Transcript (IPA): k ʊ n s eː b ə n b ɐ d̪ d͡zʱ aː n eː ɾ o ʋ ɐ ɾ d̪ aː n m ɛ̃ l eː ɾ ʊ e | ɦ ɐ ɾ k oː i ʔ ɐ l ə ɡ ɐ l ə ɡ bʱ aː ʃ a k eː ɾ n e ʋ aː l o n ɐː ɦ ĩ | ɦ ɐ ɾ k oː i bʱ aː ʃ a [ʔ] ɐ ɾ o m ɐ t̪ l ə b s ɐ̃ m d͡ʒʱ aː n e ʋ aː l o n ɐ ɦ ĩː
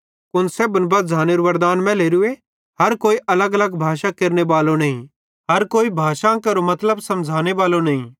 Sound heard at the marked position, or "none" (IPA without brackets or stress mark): k